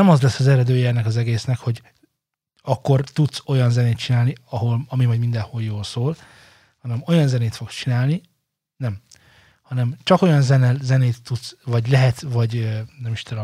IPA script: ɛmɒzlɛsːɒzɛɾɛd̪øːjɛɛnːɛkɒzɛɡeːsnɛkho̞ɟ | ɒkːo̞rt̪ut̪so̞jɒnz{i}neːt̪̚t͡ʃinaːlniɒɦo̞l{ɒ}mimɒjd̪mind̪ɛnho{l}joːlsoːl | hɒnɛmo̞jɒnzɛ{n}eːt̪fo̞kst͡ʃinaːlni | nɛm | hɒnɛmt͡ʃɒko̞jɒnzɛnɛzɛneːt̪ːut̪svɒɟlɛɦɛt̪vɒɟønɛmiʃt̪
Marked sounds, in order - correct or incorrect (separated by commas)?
incorrect, correct, correct, correct